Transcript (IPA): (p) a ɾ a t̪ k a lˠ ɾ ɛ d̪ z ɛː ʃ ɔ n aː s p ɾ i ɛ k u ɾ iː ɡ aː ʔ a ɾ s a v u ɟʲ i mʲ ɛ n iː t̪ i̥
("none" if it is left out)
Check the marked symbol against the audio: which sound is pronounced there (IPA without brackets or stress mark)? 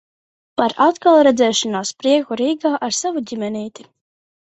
p